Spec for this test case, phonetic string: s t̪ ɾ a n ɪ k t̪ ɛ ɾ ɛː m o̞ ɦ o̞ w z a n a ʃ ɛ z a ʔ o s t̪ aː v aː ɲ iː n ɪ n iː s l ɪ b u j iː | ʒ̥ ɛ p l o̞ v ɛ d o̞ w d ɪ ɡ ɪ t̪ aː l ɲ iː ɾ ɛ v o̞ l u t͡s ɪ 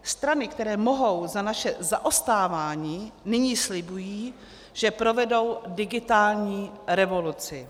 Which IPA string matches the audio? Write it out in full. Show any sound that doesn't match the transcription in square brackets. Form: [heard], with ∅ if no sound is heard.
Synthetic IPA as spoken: s t̪ ɾ a n ɪ k t̪ ɛ ɾ ɛː m o̞ ɦ o̞ w z a n a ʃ ɛ z a ʔ o s t̪ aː v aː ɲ iː n ɪ [ɲ] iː s l ɪ b u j iː | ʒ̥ ɛ p [ɾ] o̞ v ɛ d o̞ w d ɪ ɡ ɪ t̪ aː l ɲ iː ɾ ɛ v o̞ l u t͡s ɪ